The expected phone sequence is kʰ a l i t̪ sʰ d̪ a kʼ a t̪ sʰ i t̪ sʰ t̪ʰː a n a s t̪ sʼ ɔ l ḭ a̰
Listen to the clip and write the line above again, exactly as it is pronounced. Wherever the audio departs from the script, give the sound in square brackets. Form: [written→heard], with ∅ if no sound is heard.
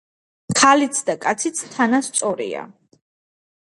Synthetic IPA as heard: kʰ a l i t̪ sʰ d̪ a kʼ a t̪ sʰ i t̪ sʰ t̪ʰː a n a s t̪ sʼ ɔ [l→ɾ] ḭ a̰

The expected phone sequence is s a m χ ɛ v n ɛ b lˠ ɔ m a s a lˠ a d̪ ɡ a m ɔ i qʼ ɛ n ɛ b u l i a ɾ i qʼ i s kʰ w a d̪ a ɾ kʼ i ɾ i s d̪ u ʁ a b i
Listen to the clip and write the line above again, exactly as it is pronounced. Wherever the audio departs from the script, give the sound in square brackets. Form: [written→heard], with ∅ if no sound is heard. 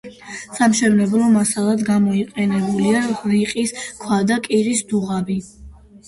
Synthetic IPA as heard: s a m [χ→ʃ] ɛ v n ɛ b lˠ ɔ m a s a lˠ a d̪ ɡ a m ɔ i qʼ ɛ n ɛ b u l i a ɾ i qʼ i s kʰ w a d̪ a [ɾ→∅] kʼ i ɾ i s d̪ u ʁ a b i

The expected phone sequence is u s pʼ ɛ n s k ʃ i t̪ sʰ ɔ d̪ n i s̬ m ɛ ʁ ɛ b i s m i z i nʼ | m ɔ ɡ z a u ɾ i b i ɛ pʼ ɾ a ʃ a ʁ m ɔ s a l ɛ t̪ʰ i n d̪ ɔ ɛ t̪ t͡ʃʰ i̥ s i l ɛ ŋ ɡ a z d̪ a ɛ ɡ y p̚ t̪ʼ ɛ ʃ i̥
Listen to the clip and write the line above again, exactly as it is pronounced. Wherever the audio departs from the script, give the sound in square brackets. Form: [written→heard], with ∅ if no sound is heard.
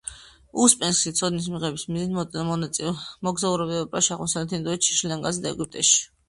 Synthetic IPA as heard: u s pʼ ɛ n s k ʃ i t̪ sʰ ɔ d̪ n i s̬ m [ɛ→i] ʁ ɛ b i s m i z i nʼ | m ɔ ɡ z a u ɾ [i→ɛ] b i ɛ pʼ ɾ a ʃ a ʁ m ɔ s a l ɛ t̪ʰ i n d̪ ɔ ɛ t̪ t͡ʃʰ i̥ [s→ʃ] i l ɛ ŋ ɡ a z d̪ a ɛ ɡ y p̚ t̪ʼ ɛ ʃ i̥

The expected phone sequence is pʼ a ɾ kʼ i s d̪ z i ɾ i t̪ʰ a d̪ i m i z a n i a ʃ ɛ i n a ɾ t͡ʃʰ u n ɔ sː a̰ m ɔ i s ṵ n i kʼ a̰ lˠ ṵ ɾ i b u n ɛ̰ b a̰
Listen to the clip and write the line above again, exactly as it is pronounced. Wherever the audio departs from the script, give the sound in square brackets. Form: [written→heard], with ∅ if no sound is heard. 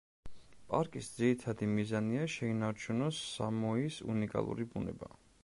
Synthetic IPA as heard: pʼ a ɾ kʼ i s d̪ z i ɾ i t̪ʰ a d̪ i m i z a n i a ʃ ɛ i n a ɾ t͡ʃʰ u n ɔ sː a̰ m ɔ i s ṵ n i kʼ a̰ lˠ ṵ ɾ i b u n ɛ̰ b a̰

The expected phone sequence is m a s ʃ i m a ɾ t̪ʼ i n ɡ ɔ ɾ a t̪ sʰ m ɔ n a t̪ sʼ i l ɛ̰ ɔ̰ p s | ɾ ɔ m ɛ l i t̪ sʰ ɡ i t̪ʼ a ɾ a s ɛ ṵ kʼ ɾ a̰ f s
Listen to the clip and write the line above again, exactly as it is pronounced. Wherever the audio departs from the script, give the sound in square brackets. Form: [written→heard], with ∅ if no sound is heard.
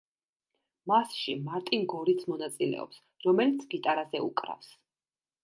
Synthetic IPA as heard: m a s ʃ i m a ɾ t̪ʼ i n ɡ ɔ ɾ [a→i] t̪ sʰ m ɔ n a t̪ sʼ i l ɛ̰ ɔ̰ p s | ɾ ɔ m ɛ l i t̪ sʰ ɡ i t̪ʼ a ɾ a [s→z] ɛ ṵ kʼ ɾ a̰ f s

